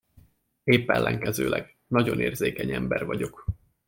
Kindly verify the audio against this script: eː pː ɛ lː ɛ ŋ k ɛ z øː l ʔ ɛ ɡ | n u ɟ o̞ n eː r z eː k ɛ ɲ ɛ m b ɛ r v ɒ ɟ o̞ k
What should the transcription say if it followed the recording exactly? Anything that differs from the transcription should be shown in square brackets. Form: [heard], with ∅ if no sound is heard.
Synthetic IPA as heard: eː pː ɛ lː ɛ ŋ k ɛ z øː l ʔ ɛ ɡ | n [ɒ] ɟ o̞ n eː r z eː k ɛ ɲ ɛ m b ɛ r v ɒ ɟ o̞ k